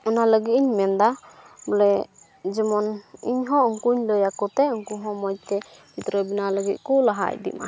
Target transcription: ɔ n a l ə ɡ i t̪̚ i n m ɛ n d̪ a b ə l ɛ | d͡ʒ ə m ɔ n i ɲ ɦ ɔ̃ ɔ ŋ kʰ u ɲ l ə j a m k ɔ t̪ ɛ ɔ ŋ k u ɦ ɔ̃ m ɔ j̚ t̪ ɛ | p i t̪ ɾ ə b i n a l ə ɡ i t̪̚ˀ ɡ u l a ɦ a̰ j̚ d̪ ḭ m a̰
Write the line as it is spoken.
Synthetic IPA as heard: ɔ n a l ə ɡ i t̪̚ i ɲ m ɛ n d̪ a b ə l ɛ | d͡ʒ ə m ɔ n i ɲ ɦ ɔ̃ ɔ ŋ k u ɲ l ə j a k ɔ t̪ ɛ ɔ ŋ k u ɦ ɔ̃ m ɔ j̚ t̪ ɛ | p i t̪ ɾ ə b i n a l ə ɡ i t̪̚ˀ k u l a ɦ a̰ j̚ d̪ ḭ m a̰